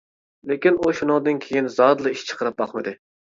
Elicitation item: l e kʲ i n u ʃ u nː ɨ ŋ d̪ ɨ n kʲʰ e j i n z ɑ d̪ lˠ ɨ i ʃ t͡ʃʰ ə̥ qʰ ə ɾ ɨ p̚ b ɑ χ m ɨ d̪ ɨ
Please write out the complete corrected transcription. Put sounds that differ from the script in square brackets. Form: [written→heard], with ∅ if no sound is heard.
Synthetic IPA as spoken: l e kʲ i n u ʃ u [nː→n] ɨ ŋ d̪ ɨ n kʲʰ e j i n z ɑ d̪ lˠ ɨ i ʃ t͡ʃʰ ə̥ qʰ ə ɾ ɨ p̚ b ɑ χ m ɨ d̪ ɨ